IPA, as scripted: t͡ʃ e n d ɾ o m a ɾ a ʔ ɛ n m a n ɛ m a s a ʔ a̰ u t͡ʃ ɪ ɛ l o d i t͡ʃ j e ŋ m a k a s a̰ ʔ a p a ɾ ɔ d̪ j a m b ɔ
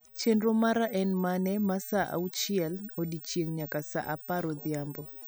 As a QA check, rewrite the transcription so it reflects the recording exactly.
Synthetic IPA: t͡ʃ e n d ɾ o m a ɾ a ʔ ɛ n m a n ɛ m a s a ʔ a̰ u t͡ʃ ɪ ɛ l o d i t͡ʃ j e ŋ ɲ a k a s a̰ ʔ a p a ɾ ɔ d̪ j a m b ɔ